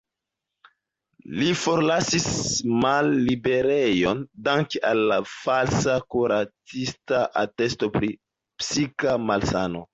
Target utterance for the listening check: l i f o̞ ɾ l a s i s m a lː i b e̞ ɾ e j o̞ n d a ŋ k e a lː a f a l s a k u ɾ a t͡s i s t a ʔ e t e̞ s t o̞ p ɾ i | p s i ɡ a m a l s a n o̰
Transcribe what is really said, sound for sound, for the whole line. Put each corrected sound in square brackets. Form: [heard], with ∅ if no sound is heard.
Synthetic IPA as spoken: l i f o̞ ɾ l a s i s m a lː i b e̞ ɾ e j o̞ n d a ŋ k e a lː a f a l s a k u ɾ a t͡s i s t a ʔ [a] t e̞ s t o̞ p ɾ i | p s i [k] a m a l s a n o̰